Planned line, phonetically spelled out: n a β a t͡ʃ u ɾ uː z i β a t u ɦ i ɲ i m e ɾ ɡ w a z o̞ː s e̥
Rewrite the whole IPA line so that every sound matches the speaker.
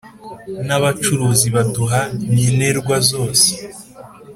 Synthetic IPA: n a β a t͡ʃ u ɾ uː z i β a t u ɦ a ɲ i n e ɾ ɡ w a z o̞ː s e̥